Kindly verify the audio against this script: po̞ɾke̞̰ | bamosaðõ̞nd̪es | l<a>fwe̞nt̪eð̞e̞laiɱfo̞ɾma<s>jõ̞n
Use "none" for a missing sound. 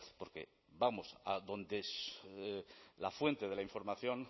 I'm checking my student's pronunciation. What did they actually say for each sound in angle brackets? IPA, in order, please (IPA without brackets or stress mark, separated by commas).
a, θ